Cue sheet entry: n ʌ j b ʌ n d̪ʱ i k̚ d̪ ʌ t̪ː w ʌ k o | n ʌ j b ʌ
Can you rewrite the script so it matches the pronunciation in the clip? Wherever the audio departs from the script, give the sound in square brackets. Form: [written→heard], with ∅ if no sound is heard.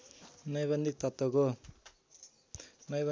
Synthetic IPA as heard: n ʌ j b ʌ n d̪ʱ i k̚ [d̪→t̪] ʌ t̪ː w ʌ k o | n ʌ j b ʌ